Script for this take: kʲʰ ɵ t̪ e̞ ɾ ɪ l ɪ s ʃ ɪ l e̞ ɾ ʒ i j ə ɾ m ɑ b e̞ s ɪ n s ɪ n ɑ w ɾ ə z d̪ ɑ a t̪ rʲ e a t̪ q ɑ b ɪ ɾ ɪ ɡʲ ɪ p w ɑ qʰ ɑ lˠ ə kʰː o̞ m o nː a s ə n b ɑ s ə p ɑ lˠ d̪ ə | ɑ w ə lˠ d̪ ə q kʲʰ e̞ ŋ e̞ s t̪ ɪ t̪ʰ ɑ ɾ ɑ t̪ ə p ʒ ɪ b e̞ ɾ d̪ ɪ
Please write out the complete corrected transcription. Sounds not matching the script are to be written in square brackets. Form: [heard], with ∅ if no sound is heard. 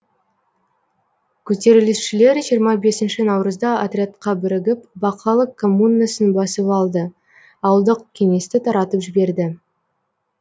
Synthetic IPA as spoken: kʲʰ ɵ t̪ e̞ ɾ ɪ l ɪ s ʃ ɪ l e̞ ɾ ʒ i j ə ɾ m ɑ b e̞ s ɪ n [ʃ] ɪ n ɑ w ɾ ə z d̪ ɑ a t̪ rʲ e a t̪ q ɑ b ɪ ɾ ɪ ɡʲ ɪ p [b] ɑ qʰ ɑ lˠ ə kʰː o̞ m [u] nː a s ə n b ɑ s ə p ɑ lˠ d̪ ə | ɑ w ə lˠ d̪ ə q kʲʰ e̞ ŋ e̞ s t̪ ɪ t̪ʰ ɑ ɾ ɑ t̪ ə p ʒ ɪ b e̞ ɾ d̪ ɪ

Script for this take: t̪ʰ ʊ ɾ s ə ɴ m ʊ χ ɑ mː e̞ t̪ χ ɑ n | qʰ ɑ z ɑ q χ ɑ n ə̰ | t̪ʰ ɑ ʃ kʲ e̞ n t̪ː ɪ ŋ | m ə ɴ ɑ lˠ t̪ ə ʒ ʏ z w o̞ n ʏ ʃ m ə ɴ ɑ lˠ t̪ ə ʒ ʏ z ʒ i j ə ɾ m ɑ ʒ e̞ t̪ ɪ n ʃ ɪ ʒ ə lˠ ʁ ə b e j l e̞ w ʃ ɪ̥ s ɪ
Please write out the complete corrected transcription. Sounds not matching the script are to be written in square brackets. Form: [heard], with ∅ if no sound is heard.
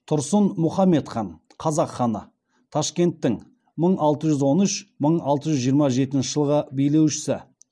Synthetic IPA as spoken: t̪ʰ ʊ ɾ s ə [n] m ʊ χ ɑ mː e̞ t̪ χ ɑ n | qʰ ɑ z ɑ q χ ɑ n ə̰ | t̪ʰ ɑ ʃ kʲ e̞ n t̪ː ɪ ŋ | m ə ɴ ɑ lˠ t̪ ə ʒ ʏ z w o̞ n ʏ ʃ m ə ɴ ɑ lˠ t̪ ə ʒ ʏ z ʒ i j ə ɾ m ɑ ʒ e̞ t̪ ɪ n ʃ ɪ ʒ ə lˠ ʁ ə b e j l e̞ w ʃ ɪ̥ s ɪ

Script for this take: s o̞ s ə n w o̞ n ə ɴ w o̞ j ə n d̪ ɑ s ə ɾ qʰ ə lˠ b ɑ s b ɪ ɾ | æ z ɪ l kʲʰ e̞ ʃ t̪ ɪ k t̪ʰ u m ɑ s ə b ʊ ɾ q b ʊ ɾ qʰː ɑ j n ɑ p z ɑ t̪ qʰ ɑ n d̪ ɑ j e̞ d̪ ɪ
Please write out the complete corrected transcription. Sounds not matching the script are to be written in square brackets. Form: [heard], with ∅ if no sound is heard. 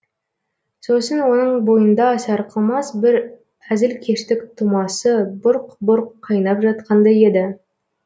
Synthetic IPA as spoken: s o̞ s ə n w o̞ n ə ɴ [b] o̞ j ə n d̪ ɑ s [ɑ] ɾ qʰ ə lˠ [m] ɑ s b ɪ ɾ | æ z ɪ l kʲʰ e̞ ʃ t̪ ɪ k t̪ʰ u m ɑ s ə b ʊ ɾ q b ʊ ɾ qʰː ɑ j n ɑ p [ʒ] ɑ t̪ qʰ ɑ n d̪ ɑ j e̞ d̪ ɪ

